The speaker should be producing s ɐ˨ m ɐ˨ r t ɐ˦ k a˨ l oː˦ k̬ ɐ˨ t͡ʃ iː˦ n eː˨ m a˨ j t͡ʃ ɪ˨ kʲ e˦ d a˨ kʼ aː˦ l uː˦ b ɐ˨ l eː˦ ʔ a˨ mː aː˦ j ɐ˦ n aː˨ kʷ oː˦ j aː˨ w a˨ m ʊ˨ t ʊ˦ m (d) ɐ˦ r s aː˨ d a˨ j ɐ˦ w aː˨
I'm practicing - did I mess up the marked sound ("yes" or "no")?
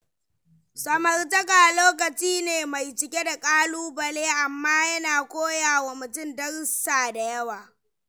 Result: no